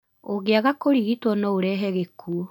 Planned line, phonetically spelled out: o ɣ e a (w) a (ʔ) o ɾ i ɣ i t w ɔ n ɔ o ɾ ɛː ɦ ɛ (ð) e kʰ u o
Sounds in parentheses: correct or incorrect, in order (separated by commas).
incorrect, incorrect, incorrect